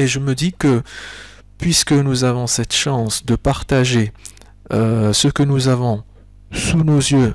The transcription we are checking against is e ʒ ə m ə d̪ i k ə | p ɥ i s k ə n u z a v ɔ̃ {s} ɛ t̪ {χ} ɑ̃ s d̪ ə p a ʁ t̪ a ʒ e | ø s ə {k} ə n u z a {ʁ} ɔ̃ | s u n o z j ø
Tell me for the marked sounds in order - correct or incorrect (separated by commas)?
correct, incorrect, correct, incorrect